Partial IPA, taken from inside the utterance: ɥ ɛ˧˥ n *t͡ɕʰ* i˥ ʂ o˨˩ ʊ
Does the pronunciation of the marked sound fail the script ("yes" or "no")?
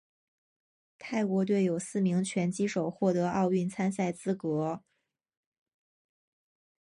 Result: yes